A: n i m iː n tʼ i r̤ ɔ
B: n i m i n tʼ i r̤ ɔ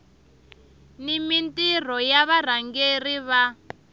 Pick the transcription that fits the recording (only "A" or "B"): B